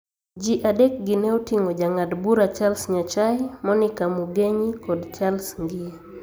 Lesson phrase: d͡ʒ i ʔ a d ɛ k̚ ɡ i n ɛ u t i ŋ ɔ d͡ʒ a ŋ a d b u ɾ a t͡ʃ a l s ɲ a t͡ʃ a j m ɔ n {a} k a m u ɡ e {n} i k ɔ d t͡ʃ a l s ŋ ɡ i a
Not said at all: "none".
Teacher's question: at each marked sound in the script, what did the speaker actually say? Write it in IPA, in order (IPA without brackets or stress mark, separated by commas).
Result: i, ɲ